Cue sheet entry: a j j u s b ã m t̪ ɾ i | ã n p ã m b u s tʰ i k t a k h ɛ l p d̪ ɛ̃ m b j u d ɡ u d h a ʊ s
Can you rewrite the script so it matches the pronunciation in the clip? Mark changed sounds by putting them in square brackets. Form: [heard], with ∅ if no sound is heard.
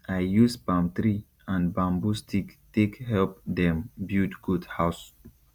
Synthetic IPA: a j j u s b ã m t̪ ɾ i | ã n [b] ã m b u s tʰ i k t [e] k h ɛ l p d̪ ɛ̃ m b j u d ɡ u d h a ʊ s